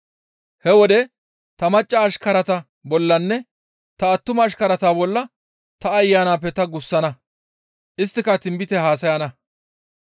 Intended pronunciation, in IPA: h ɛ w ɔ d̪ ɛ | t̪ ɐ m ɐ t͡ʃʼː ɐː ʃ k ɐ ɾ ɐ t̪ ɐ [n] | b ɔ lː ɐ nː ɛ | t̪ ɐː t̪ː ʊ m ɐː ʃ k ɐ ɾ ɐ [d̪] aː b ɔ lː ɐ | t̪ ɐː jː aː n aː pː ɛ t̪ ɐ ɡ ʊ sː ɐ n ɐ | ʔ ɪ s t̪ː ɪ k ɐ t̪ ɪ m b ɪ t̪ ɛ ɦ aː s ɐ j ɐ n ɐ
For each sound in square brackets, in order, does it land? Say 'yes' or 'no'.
no, no

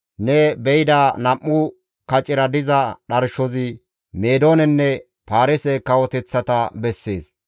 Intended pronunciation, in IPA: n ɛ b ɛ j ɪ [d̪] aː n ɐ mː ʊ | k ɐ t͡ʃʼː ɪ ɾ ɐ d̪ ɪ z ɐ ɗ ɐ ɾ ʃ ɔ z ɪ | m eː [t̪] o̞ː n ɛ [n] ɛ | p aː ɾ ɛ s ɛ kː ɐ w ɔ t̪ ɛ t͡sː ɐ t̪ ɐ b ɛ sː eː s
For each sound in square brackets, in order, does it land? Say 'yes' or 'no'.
yes, no, no

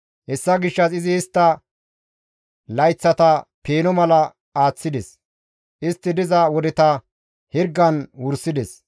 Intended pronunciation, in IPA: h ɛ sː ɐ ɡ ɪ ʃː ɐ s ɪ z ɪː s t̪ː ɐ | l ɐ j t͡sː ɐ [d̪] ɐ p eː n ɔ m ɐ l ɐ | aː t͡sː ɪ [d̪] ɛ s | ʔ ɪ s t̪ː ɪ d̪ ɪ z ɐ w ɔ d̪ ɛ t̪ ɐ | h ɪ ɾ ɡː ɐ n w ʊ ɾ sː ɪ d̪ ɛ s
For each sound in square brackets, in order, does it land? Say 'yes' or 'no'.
no, yes

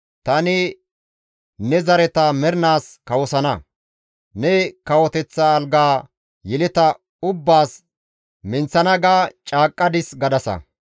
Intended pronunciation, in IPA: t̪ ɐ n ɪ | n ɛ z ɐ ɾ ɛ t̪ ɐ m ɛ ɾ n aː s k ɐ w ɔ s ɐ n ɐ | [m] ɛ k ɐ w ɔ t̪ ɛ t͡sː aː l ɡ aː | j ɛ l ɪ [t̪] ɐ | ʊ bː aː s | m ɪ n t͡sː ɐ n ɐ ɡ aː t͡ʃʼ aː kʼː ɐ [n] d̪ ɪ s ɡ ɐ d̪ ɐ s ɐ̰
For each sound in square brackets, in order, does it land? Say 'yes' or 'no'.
no, yes, no

